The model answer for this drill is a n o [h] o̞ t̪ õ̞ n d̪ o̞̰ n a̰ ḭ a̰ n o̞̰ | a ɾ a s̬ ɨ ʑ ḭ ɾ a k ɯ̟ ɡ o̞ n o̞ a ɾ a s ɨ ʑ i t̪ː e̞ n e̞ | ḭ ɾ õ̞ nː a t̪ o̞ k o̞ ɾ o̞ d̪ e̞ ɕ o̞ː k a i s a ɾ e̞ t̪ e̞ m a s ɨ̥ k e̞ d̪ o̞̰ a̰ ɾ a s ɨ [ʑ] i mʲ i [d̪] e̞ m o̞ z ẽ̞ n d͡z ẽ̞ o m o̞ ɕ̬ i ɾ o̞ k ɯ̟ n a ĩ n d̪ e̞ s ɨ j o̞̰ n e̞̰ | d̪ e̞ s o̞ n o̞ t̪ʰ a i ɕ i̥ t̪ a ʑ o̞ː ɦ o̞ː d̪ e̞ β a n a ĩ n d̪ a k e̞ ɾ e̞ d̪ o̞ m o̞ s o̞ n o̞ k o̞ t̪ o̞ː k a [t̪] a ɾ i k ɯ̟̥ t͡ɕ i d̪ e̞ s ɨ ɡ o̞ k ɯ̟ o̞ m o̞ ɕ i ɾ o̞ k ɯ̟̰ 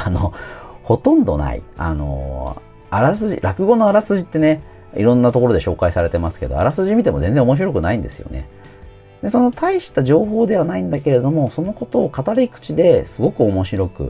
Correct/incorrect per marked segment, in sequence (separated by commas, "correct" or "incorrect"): correct, correct, incorrect, correct